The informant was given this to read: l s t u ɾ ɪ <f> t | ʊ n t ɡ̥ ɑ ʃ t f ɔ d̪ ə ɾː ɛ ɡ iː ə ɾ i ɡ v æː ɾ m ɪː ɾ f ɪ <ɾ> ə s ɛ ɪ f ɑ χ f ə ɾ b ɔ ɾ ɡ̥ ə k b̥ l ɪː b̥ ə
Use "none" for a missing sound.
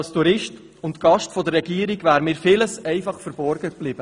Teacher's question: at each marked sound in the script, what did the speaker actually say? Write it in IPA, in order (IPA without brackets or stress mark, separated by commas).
ʃ, l